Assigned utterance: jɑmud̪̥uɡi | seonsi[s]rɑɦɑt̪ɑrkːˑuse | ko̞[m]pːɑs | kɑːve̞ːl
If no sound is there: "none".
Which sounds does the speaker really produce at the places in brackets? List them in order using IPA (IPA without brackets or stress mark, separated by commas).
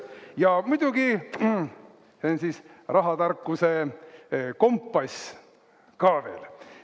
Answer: s, m